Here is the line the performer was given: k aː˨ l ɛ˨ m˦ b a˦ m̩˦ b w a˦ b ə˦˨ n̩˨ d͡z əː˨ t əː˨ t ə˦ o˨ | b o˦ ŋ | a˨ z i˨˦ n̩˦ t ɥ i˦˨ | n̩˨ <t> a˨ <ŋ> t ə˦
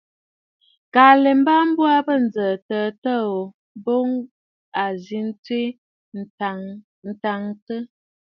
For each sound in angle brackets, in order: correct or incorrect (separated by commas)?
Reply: correct, correct